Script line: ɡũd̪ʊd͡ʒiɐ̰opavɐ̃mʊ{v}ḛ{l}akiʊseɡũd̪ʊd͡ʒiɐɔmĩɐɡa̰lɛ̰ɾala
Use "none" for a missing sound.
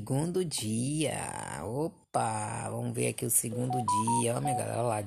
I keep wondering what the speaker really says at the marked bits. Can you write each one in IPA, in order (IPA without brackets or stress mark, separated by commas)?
v, ɾ